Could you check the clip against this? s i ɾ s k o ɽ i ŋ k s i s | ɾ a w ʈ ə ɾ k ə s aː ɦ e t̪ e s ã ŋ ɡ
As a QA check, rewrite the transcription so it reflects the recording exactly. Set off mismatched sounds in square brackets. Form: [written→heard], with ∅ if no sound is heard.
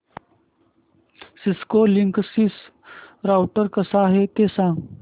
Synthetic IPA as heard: s i [ɾ→∅] s k o [ɽ→l] i ŋ k s i s | ɾ a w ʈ ə ɾ k ə s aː ɦ e t̪ e s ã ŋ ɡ